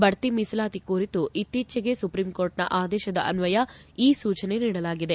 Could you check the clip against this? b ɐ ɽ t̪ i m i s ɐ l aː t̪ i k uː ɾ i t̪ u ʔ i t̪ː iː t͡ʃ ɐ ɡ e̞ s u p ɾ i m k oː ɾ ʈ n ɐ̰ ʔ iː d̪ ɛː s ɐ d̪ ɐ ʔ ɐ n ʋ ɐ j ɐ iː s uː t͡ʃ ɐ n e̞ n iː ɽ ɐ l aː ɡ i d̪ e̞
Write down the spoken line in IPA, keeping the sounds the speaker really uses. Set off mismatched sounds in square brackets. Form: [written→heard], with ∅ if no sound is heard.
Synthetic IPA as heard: b ɐ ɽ t̪ i m i s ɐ l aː t̪ i k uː ɾ i t̪ u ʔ i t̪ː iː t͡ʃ ɐ ɡ e̞ s u p ɾ i m k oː ɾ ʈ n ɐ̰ ʔ [iː→aː] d̪ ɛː [s→ʃ] ɐ d̪ ɐ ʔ ɐ n ʋ ɐ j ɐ iː s uː t͡ʃ ɐ n e̞ n iː ɽ ɐ l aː ɡ i d̪ e̞